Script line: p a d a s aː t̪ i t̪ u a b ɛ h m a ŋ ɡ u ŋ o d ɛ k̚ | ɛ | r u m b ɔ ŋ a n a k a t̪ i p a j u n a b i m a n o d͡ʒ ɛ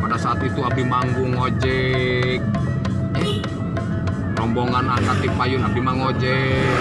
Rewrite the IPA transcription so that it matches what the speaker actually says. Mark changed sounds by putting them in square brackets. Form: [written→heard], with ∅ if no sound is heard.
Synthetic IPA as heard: p a d a s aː t̪ i t̪ u a b [ɛ→i] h m a ŋ ɡ u ŋ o [d→d͡ʒ] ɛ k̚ | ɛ | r [u→ɔ] m b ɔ ŋ a n a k a t̪ i p a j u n a b i m a [n→ŋ] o d͡ʒ ɛ